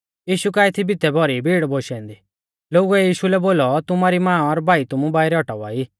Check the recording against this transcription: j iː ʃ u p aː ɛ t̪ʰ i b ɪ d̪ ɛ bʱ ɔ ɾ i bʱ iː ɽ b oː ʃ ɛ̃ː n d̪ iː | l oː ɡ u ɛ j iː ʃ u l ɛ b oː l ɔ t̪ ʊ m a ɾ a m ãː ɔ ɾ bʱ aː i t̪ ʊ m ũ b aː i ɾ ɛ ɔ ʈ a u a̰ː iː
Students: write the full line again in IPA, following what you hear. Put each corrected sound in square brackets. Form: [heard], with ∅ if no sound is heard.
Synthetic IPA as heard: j iː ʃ u [k] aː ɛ t̪ʰ i b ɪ [t̪] ɛ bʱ ɔ ɾ i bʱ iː ɽ b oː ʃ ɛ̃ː n d̪ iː | l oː ɡ u ɛ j iː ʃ u l ɛ b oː l ɔ t̪ ʊ m a ɾ [i] m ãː ɔ ɾ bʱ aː i t̪ ʊ m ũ b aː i ɾ ɛ ɔ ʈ a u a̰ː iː